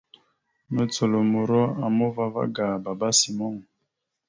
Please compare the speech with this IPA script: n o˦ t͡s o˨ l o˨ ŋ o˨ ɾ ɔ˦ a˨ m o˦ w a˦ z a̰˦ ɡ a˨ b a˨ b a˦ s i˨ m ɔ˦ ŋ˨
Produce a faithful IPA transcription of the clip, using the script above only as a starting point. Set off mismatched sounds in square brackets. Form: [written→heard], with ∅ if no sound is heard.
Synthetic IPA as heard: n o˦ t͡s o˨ l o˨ [ŋ→m] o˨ ɾ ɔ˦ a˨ m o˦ [w→v] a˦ [z→v] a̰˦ ɡ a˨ b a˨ b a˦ s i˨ m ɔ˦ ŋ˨